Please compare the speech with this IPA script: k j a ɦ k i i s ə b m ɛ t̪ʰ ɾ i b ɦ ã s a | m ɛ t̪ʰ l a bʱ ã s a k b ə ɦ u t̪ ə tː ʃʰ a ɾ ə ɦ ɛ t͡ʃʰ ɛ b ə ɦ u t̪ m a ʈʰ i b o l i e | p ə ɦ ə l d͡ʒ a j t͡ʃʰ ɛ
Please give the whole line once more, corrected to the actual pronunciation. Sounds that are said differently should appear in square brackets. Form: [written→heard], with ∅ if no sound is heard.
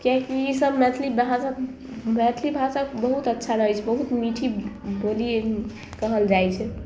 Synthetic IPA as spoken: k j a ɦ k i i s ə b m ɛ t̪ʰ [ɾ→l] i b ɦ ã s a | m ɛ t̪ʰ l [a→i] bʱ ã s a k b ə ɦ u t̪ ə tː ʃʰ a ɾ ə ɦ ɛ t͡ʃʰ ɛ b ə ɦ u t̪ m [a→i] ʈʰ i b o l i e | [p→k] ə ɦ ə l d͡ʒ a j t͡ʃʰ ɛ